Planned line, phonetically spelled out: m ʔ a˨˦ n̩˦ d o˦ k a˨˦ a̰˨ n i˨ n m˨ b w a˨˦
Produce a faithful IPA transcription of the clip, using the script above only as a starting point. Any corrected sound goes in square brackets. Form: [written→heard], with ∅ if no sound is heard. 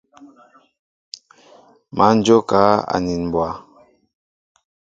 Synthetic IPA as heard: m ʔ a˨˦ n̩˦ [d→d͡ʒ] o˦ k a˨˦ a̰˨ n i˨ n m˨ b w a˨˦